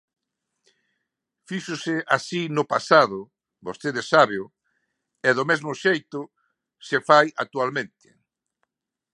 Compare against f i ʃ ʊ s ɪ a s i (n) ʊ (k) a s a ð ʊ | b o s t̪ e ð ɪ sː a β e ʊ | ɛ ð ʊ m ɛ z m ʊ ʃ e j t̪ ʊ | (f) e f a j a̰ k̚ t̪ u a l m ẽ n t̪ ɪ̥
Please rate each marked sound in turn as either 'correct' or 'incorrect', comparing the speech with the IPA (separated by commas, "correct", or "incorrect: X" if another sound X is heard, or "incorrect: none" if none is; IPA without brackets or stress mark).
correct, incorrect: p, incorrect: s